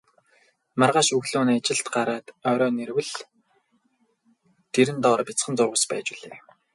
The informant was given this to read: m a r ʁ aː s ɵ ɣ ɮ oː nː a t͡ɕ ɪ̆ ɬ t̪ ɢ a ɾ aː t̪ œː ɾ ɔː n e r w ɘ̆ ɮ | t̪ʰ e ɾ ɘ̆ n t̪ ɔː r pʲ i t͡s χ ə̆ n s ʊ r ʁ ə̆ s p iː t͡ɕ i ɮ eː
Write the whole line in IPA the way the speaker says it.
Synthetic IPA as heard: m a r ʁ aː ʃ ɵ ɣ ɮ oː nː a t͡ɕ ɪ̆ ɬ t̪ ɢ a ɾ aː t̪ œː ɾ ɔː n e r w ɘ̆ ɮ | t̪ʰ e ɾ ɘ̆ n t̪ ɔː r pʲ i t͡s χ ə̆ n t͡s ʊ r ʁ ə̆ s p æː t͡ɕ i ɮ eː